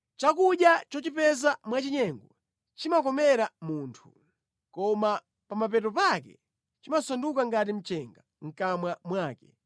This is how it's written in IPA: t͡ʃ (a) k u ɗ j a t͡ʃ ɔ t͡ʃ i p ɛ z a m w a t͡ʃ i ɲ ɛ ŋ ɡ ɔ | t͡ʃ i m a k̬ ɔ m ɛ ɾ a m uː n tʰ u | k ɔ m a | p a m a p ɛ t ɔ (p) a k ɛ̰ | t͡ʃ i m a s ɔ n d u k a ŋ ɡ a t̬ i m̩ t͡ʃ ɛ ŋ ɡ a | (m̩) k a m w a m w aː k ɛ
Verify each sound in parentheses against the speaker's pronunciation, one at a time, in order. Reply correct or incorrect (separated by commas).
correct, correct, incorrect